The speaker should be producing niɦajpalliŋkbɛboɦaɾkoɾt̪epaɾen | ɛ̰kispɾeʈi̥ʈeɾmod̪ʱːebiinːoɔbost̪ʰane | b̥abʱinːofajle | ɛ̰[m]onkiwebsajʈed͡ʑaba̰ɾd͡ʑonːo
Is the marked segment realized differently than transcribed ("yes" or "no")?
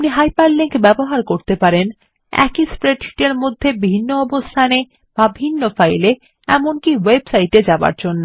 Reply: no